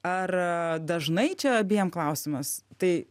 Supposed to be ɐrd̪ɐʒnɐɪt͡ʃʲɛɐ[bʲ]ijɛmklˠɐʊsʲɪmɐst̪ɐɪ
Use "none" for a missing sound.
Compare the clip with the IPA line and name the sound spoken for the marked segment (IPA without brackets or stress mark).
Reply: bʲ